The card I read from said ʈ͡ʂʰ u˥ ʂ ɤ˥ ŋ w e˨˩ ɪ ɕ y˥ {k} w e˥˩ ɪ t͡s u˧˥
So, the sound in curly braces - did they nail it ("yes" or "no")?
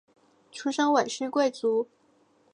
yes